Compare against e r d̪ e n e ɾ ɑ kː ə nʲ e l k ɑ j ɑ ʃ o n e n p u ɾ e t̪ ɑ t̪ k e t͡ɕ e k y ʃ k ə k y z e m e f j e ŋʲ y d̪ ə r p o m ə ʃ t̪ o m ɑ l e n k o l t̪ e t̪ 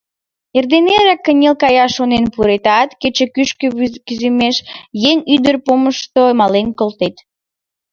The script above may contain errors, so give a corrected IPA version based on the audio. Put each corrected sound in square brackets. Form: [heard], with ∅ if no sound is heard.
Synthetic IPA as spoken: e r d̪ e n e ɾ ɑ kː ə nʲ e l k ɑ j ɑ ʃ o n e n p u ɾ e t̪ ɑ t̪ k e t͡ɕ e k y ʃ k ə k y z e m e [ʃ] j e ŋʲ y d̪ ə r p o m ə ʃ t̪ o m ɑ l e n k o l t̪ e t̪